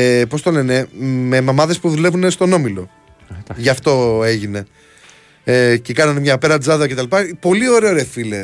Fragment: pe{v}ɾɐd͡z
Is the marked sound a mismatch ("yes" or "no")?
yes